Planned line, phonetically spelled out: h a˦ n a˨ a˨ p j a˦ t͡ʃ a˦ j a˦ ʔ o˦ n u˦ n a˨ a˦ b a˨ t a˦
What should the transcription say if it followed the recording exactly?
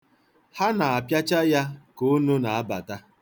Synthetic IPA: h a˦ n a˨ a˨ p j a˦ t͡ʃ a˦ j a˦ k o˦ n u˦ n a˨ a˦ b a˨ t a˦